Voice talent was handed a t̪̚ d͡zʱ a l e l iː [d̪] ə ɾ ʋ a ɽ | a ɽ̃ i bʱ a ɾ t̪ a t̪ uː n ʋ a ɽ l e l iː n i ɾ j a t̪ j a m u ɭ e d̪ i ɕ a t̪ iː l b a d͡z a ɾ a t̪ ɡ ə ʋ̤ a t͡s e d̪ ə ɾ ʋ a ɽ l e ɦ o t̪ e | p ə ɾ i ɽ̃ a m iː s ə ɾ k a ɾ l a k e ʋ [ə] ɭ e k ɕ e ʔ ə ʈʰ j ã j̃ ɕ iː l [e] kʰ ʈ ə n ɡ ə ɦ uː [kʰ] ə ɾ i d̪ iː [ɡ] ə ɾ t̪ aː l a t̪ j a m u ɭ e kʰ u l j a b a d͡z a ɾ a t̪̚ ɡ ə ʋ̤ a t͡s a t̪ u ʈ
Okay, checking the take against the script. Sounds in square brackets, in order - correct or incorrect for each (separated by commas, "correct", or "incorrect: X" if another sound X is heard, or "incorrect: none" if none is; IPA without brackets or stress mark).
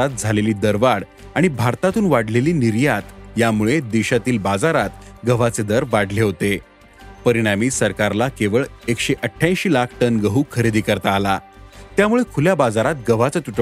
correct, correct, incorrect: a, correct, incorrect: k